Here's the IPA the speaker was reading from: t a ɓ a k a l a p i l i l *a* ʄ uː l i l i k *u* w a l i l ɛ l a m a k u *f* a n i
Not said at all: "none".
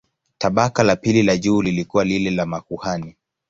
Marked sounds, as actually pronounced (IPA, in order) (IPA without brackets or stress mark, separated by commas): a, u, h